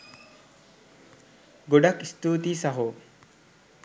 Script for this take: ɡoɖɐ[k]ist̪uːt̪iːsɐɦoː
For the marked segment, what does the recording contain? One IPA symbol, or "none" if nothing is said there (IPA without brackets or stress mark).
k